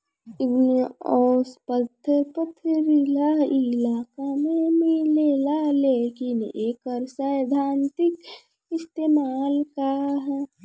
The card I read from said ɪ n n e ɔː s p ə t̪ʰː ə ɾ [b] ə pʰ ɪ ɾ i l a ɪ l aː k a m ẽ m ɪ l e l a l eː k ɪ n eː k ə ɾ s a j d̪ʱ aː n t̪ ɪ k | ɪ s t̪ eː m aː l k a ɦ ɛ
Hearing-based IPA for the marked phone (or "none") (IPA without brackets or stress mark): p